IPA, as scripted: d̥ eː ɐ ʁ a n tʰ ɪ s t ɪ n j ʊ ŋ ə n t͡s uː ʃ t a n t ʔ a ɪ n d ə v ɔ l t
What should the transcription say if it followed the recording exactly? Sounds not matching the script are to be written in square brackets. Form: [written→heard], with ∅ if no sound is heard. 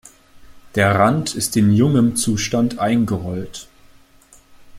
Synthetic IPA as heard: d̥ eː ɐ ʁ a n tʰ ɪ s t ɪ n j ʊ ŋ ə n t͡s uː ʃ t a n t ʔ a ɪ n [d→ɡ] ə [v→ʁ] ɔ l t